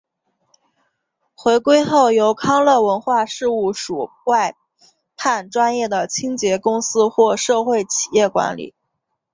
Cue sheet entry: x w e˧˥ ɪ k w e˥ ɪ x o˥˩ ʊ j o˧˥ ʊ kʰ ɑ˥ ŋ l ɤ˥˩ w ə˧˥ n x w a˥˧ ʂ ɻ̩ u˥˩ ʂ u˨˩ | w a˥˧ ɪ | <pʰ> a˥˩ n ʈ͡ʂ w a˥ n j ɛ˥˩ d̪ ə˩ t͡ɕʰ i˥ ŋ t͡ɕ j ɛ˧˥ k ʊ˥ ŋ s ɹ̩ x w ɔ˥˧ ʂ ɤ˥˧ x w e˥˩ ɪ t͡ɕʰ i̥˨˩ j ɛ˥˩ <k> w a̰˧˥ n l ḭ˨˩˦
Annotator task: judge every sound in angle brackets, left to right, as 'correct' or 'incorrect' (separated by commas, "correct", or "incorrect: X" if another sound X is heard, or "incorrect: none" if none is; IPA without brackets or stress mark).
correct, correct